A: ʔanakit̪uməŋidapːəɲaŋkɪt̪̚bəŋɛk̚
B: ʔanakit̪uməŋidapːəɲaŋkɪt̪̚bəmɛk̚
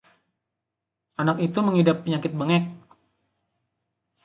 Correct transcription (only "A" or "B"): A